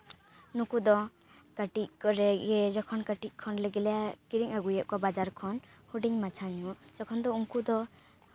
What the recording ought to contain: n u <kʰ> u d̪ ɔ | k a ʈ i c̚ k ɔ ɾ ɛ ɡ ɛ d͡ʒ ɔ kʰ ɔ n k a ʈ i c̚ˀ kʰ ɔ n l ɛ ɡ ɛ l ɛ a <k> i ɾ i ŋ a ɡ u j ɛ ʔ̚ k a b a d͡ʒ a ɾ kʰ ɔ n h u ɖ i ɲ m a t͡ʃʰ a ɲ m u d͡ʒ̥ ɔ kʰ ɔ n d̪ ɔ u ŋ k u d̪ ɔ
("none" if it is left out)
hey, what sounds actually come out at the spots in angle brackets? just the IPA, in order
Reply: k, k

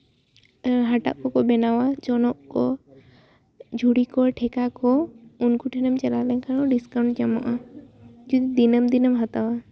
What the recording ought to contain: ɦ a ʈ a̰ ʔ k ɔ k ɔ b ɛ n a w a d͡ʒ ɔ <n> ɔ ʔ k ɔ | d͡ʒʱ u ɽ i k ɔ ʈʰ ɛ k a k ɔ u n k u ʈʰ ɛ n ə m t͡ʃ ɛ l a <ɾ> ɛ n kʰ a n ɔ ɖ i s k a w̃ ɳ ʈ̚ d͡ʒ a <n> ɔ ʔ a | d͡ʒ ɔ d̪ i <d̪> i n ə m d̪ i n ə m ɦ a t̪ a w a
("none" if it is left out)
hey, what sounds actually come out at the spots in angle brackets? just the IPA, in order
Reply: n, l, m, d̪

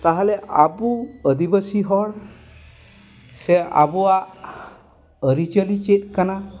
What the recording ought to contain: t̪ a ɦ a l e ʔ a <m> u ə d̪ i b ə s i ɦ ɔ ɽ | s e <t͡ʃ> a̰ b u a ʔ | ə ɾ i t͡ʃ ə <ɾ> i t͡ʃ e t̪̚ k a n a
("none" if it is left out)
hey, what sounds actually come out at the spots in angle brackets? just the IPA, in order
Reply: b, none, l

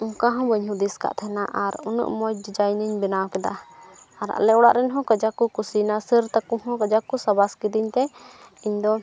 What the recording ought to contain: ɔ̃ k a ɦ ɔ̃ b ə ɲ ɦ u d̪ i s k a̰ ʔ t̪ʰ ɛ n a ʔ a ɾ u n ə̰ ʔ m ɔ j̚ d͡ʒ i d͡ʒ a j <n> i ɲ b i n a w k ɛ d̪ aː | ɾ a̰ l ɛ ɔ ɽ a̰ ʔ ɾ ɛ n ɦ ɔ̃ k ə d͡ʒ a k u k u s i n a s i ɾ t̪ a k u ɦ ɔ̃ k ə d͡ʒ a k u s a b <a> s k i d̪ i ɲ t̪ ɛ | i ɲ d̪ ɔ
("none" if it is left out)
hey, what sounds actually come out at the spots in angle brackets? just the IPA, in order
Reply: n, a

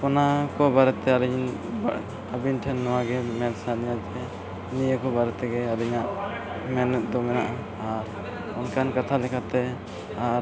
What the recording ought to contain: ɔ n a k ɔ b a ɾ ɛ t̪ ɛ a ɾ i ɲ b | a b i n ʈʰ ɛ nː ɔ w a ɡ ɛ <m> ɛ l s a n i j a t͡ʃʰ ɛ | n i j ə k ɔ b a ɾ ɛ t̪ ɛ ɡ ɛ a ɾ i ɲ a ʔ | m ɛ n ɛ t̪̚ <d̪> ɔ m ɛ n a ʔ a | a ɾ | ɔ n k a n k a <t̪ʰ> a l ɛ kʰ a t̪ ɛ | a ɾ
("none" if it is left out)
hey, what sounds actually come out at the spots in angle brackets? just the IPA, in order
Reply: m, d̪, t̪ʰ

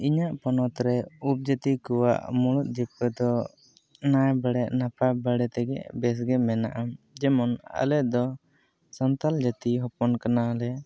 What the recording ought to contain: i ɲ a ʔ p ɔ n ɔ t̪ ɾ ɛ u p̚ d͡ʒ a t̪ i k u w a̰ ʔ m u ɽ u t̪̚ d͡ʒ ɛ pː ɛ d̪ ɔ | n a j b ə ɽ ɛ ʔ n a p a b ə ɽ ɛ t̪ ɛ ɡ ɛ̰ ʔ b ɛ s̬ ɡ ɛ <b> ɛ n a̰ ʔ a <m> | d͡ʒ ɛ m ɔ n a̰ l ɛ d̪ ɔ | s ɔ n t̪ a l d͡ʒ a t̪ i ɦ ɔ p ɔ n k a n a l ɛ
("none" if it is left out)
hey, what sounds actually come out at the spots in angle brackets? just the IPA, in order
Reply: m, m

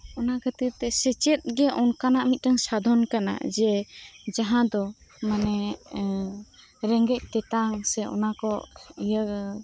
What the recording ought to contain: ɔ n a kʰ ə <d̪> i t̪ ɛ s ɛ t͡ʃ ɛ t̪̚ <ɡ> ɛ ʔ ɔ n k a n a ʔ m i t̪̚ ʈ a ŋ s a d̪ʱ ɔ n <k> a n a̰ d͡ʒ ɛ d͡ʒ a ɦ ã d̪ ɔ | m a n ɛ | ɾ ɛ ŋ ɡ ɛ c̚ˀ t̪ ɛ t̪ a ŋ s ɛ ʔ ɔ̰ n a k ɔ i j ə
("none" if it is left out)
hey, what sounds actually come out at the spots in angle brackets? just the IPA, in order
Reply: t̪, ɡ, k

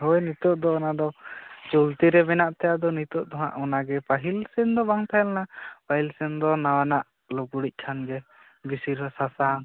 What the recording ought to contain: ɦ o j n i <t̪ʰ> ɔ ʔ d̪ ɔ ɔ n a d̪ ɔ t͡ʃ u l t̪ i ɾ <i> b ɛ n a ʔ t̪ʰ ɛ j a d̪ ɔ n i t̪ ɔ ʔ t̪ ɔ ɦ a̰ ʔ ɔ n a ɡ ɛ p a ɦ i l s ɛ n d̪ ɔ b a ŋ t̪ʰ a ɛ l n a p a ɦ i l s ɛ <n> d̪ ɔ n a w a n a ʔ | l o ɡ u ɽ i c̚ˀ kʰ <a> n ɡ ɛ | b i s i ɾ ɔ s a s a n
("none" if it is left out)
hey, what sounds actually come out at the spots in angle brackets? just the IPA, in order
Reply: t̪, ɛ, n, a

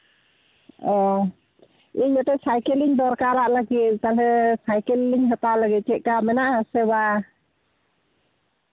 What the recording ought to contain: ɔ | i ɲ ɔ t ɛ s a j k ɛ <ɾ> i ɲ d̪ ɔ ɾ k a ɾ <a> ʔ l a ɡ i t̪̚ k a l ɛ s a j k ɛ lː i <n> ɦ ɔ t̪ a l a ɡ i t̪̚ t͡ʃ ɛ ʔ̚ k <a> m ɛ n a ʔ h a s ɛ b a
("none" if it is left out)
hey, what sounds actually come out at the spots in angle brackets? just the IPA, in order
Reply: l, a, ɲ, a

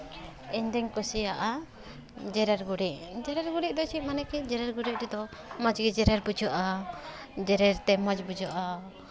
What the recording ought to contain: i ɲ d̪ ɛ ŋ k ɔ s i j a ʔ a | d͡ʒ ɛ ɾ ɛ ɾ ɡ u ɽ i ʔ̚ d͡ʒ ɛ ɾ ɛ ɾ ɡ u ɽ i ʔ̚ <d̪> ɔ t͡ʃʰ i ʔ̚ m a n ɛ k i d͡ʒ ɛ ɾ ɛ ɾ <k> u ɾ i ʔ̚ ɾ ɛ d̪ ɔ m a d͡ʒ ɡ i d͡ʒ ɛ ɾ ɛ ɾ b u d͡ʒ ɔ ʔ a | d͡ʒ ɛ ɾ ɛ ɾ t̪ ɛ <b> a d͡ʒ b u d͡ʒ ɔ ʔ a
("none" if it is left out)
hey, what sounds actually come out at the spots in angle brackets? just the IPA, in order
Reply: d̪, ɡ, m

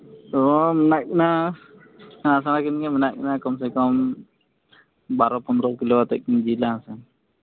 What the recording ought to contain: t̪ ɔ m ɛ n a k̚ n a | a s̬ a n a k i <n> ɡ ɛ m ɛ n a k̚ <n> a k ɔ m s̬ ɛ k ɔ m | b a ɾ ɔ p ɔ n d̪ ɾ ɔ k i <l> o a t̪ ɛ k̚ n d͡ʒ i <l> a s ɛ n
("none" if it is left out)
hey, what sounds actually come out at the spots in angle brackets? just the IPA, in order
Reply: n, n, l, l

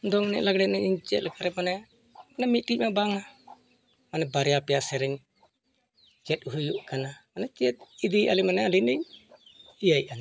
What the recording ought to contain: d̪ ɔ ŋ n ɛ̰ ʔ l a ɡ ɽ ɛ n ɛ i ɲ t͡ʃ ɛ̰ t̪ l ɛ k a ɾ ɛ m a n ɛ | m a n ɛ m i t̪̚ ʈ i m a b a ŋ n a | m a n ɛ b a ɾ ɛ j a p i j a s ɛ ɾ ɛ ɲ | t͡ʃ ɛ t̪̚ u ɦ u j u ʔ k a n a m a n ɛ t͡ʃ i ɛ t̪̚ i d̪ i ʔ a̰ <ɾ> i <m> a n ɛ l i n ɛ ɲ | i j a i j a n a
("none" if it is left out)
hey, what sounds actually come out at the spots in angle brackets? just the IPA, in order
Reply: l, m

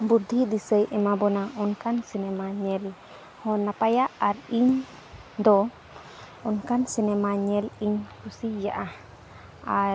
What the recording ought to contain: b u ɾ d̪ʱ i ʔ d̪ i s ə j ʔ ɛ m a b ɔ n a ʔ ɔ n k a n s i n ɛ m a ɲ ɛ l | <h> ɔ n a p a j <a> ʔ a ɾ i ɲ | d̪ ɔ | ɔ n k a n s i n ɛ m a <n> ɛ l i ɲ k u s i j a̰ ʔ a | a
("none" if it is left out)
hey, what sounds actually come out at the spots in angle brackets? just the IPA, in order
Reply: h, a, ɲ

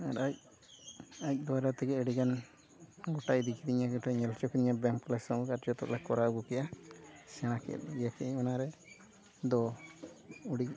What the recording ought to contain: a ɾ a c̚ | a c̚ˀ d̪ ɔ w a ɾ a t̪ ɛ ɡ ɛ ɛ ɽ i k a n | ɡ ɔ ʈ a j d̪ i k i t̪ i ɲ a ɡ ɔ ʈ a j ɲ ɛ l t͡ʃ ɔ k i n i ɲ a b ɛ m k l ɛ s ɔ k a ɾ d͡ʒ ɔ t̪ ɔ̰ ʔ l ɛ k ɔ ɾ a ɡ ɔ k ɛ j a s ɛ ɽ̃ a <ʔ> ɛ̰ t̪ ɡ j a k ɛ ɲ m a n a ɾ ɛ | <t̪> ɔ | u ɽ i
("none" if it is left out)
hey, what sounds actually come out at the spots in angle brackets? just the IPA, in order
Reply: k, d̪

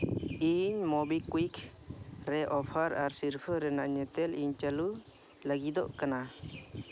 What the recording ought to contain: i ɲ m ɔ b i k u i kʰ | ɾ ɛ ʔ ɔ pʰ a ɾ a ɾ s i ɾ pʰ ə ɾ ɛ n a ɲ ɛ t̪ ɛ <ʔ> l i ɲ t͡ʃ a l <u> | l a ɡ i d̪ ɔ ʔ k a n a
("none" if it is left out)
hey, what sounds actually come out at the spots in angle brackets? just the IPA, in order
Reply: none, u

